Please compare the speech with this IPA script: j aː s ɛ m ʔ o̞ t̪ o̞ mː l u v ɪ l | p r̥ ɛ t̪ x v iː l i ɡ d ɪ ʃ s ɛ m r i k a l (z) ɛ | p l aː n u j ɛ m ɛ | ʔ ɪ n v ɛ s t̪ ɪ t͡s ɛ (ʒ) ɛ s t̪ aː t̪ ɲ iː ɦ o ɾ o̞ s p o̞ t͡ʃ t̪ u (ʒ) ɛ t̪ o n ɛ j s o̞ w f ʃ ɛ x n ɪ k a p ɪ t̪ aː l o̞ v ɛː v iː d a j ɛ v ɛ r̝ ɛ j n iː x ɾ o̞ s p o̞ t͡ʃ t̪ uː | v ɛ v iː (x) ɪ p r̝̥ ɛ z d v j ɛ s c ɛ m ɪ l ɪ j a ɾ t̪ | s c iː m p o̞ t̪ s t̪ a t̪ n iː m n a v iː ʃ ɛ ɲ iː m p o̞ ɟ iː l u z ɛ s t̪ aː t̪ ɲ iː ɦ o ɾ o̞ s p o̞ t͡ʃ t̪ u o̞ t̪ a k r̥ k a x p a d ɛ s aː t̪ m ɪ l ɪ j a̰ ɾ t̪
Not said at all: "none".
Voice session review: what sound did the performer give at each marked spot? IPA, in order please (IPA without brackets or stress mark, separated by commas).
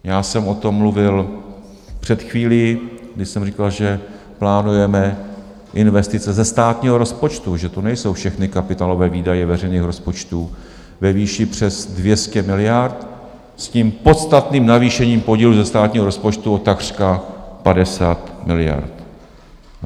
ʒ, z, ʒ, ʃ